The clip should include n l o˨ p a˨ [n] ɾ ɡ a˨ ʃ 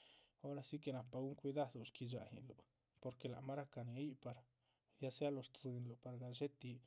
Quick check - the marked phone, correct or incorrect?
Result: incorrect